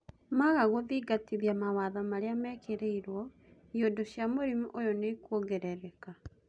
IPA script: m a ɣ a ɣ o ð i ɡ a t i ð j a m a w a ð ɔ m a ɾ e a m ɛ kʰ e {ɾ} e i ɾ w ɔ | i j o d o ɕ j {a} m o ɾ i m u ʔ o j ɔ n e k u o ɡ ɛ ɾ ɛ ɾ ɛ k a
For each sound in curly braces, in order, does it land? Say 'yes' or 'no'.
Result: yes, yes

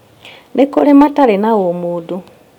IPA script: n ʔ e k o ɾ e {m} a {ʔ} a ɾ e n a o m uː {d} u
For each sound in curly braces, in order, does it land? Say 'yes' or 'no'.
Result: yes, no, yes

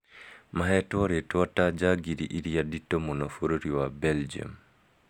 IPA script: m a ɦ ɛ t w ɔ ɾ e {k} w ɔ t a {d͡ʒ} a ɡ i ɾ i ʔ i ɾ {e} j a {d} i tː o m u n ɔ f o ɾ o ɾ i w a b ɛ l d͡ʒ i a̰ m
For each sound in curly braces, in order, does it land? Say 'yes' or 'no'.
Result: no, yes, no, yes

